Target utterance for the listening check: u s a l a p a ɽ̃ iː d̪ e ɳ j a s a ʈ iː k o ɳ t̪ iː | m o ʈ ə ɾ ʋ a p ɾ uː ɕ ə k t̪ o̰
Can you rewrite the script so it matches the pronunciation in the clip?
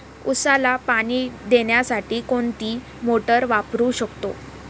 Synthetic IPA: u s a l a p a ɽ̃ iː d̪ e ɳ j a s a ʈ iː k o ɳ t̪ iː | m o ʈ ə ɾ ʋ a p ɾ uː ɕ ə k t̪ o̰